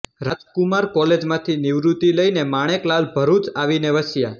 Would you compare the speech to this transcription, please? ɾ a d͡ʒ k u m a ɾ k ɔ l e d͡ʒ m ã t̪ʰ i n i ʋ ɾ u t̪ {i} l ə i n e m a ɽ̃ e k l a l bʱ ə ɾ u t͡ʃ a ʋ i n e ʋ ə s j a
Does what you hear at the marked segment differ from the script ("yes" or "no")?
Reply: no